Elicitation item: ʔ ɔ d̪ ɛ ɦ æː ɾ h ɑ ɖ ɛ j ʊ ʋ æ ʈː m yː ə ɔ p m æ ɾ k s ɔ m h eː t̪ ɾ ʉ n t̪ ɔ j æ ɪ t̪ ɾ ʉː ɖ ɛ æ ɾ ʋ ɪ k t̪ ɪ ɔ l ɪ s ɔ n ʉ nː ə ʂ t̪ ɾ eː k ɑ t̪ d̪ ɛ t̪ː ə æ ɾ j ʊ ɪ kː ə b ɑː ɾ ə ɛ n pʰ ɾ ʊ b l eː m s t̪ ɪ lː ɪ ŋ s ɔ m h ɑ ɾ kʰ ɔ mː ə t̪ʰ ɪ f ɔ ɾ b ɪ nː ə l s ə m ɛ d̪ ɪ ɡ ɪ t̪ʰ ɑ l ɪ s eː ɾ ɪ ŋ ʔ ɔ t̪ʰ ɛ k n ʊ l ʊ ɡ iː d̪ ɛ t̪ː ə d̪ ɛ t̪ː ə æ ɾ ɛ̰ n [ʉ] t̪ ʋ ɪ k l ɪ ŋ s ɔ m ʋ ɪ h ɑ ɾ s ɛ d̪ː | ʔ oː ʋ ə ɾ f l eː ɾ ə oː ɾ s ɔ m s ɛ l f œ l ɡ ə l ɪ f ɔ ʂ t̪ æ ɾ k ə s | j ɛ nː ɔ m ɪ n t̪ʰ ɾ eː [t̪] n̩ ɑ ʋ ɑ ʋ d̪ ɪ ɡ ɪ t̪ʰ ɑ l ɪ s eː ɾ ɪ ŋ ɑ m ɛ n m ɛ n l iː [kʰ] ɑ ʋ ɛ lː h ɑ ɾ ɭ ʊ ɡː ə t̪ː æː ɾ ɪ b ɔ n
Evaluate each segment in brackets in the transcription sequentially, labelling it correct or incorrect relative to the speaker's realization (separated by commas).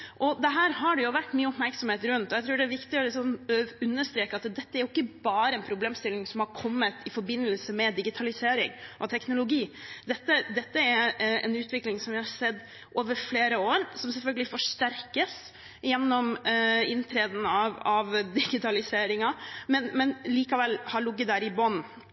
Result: incorrect, incorrect, incorrect